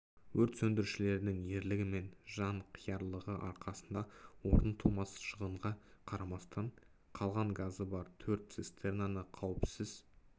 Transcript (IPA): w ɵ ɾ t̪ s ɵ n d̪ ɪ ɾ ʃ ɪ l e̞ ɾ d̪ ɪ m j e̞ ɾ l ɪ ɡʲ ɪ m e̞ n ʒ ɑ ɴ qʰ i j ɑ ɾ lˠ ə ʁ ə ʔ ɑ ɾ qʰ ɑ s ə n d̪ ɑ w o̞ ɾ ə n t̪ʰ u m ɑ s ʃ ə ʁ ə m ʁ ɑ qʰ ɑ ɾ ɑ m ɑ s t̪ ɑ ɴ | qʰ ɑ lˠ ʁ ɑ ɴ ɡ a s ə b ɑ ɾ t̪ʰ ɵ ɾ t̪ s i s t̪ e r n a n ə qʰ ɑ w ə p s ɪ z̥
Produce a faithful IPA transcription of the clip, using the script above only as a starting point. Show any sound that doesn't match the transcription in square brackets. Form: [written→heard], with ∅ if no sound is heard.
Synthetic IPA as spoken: w ɵ ɾ t̪ s ɵ n d̪ ɪ ɾ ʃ ɪ l e̞ ɾ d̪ ɪ [m→ŋ] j e̞ ɾ l ɪ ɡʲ ɪ m e̞ n ʒ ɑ ɴ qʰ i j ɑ ɾ lˠ ə ʁ ə ʔ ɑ ɾ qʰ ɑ s ə n d̪ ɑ w o̞ ɾ ə n t̪ʰ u m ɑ s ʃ ə ʁ ə [m→ɴ] ʁ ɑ qʰ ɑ ɾ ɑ m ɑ s t̪ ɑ ɴ | qʰ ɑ lˠ ʁ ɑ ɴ ɡ a [s→z] ə b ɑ ɾ t̪ʰ ɵ ɾ t̪ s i s t̪ e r n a n ə qʰ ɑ w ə p s ɪ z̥